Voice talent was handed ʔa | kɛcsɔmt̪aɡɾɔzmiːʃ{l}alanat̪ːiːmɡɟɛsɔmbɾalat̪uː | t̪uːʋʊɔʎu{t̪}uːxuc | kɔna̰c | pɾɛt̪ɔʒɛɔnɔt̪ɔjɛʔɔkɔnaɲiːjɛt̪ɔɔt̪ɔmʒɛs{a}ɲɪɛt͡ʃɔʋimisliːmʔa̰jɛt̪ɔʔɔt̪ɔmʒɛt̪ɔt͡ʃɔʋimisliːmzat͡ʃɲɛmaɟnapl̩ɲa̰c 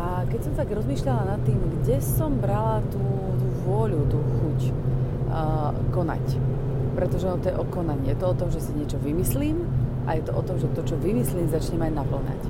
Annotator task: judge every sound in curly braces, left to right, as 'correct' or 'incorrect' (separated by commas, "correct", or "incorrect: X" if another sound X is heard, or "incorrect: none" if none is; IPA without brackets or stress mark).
incorrect: ʎ, correct, incorrect: i